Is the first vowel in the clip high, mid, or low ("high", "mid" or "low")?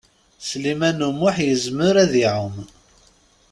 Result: high